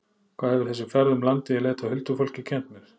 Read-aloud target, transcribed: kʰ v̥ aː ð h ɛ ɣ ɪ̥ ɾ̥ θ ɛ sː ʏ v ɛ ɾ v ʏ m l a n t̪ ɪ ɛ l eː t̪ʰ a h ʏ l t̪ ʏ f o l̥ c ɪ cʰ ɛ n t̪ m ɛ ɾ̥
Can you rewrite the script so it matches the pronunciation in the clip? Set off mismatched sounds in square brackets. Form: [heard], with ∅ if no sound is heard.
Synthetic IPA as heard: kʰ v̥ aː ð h ɛ [v] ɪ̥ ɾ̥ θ ɛ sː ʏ [f] ɛ ɾ [ð] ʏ m l a n t̪ ɪ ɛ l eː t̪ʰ a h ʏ l t̪ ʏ f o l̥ c ɪ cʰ ɛ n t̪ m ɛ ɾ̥